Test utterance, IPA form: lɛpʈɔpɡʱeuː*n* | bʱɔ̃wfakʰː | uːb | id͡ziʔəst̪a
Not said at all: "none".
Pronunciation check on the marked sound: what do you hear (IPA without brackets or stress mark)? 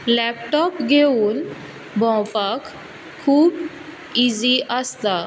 n